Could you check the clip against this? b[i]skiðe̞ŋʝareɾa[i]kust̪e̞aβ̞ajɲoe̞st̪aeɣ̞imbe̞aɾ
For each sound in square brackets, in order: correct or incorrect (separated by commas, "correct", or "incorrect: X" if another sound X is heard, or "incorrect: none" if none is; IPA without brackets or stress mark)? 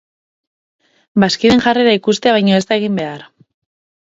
incorrect: a, correct